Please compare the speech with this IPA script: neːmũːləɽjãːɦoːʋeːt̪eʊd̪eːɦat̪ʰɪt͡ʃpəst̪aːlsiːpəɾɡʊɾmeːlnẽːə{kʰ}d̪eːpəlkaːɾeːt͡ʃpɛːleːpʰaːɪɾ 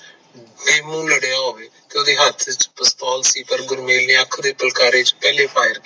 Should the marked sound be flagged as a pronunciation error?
no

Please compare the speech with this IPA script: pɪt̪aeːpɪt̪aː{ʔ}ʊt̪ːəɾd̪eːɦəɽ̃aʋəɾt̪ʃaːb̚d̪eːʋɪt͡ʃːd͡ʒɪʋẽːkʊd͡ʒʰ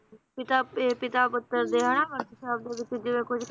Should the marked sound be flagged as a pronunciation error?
yes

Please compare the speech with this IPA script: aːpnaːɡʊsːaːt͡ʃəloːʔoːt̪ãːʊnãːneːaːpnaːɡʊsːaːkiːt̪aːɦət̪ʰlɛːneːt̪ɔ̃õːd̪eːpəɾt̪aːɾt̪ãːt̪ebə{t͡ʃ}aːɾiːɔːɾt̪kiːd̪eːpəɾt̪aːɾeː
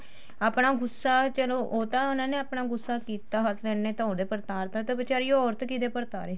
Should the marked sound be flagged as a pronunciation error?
no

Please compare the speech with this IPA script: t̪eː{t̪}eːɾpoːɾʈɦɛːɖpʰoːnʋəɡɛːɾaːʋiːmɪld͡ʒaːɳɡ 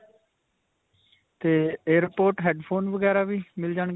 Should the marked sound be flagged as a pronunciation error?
yes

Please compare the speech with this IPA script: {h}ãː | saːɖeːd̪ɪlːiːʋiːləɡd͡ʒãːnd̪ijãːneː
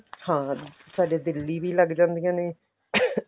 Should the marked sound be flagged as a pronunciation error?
no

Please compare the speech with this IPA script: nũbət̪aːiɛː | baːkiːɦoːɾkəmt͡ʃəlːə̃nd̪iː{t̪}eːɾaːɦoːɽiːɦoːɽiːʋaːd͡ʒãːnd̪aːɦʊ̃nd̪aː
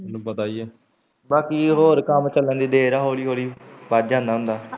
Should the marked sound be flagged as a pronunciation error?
yes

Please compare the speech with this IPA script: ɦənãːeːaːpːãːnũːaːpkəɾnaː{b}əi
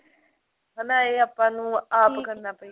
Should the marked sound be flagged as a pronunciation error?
yes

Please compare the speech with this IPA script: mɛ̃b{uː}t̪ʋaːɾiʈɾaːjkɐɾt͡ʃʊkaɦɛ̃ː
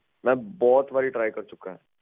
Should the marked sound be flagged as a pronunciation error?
yes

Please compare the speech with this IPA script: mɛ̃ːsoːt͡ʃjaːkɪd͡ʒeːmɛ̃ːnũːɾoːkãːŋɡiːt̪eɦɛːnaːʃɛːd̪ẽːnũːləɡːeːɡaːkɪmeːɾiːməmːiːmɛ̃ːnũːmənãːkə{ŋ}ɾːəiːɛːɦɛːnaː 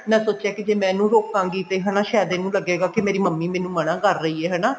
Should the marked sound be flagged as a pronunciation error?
yes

